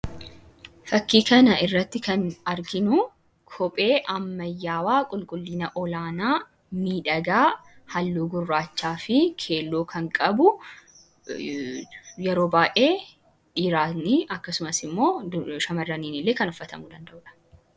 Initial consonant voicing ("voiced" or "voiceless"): voiceless